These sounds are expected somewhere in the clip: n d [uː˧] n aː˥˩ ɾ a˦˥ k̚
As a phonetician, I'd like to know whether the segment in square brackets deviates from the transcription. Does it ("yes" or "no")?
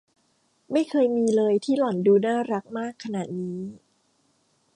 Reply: no